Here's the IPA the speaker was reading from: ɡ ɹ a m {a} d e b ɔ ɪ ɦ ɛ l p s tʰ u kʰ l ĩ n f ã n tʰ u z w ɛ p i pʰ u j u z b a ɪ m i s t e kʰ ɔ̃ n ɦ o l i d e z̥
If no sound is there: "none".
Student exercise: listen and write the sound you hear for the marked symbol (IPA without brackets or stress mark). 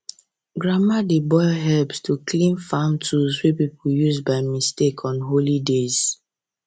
a